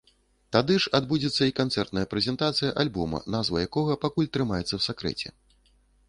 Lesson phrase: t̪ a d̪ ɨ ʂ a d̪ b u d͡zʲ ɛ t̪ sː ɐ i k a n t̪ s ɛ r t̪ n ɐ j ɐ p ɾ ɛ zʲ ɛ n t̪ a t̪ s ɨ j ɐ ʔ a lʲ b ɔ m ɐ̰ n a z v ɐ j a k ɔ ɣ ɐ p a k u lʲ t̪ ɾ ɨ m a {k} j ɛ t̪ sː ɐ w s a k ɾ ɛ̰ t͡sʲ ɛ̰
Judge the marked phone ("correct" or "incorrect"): incorrect